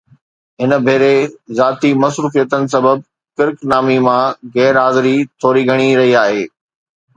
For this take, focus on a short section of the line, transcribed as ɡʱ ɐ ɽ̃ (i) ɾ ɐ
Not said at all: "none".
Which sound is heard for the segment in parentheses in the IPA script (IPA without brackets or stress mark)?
i